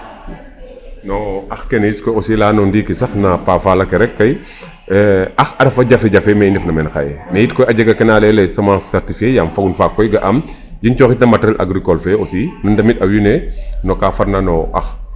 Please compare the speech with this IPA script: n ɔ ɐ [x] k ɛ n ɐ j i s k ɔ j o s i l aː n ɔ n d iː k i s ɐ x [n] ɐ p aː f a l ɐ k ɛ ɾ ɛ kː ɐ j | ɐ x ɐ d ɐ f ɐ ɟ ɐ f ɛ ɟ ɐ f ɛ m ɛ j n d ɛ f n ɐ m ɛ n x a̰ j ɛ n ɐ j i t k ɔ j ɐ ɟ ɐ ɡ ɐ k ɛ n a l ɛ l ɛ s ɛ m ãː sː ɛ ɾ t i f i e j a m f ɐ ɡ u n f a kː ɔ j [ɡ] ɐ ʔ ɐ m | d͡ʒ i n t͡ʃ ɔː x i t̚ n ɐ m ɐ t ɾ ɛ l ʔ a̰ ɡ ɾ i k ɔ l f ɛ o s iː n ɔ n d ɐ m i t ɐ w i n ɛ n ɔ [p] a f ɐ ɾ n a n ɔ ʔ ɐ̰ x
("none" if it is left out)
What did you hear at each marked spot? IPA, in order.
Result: x, n, ɡ, k

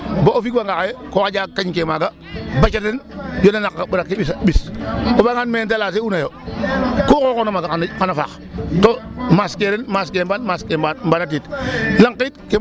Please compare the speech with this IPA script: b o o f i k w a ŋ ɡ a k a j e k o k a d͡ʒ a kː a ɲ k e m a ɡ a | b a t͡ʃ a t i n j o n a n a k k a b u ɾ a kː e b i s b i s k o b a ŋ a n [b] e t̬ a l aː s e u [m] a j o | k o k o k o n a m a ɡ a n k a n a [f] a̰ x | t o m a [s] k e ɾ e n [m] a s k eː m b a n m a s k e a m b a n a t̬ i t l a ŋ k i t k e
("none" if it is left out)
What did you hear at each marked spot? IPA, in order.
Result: m, n, f, s, m

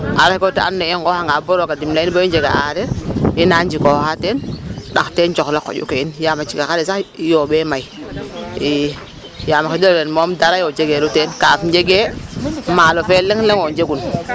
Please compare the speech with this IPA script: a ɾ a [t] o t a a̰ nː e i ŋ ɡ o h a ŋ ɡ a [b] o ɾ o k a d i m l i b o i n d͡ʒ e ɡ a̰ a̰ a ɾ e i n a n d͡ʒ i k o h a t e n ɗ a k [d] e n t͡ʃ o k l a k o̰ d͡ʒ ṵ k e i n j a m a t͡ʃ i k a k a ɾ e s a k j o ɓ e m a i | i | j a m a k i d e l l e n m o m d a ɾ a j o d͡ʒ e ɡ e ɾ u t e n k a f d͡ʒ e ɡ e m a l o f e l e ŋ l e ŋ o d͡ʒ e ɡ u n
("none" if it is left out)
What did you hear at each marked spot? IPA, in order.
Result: k, b, t

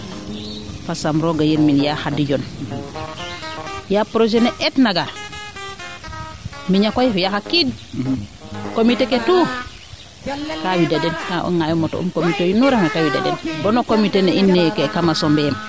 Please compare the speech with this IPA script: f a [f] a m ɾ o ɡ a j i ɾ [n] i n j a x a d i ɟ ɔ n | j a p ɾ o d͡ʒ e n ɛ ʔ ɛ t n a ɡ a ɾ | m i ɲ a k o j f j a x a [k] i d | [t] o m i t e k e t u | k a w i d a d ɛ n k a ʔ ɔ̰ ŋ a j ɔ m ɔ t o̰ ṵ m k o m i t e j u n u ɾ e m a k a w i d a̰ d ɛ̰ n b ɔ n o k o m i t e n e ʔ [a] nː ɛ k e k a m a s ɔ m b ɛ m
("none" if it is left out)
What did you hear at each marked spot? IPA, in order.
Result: s, m, k, k, i

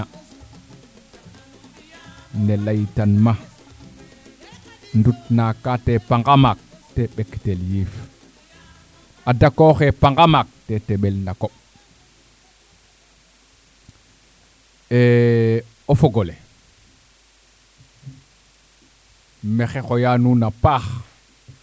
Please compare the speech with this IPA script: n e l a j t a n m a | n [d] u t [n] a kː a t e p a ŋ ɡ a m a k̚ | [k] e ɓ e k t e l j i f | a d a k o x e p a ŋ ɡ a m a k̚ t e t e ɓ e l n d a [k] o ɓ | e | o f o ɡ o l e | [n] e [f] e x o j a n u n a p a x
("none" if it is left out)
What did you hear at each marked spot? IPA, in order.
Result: d, n, t, k, m, x

